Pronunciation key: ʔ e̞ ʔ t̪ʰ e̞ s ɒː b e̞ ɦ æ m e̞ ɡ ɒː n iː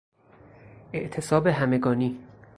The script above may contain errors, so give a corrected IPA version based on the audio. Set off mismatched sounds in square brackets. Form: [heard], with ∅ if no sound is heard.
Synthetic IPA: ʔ e̞ ʔ t̪ʰ e̞ s ɒː b e̞ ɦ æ m e̞ ɡ ɒː n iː